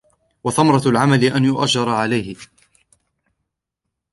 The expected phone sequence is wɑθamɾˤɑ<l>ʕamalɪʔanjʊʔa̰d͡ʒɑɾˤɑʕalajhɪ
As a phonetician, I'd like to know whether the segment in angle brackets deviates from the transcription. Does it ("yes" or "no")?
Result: no